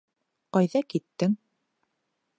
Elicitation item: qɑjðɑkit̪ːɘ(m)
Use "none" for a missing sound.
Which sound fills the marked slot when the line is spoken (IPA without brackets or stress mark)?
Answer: ŋ